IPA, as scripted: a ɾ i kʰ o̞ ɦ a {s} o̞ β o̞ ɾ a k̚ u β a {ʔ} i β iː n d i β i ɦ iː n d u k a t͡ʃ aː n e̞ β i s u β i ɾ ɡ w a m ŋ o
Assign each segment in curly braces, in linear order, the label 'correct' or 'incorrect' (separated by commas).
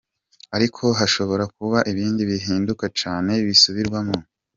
incorrect, correct